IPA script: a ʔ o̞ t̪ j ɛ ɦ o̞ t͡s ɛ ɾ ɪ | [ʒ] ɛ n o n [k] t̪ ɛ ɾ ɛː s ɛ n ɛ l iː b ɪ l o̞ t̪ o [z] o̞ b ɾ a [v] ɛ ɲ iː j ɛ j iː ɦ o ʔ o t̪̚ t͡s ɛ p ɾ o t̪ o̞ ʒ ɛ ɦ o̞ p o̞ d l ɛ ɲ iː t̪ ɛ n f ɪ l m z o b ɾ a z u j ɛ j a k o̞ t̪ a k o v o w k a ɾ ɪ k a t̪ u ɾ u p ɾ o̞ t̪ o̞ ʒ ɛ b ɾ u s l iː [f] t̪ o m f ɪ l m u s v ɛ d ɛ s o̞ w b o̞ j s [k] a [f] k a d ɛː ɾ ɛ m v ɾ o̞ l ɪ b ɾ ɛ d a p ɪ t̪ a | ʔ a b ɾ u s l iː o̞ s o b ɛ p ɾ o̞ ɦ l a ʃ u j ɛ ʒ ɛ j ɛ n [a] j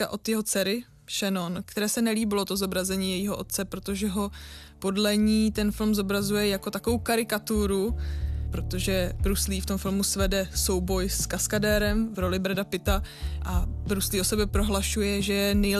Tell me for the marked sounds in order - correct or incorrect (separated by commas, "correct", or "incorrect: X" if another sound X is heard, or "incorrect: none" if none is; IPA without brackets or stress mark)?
incorrect: ʃ, correct, correct, incorrect: z, correct, correct, incorrect: s, incorrect: ɛ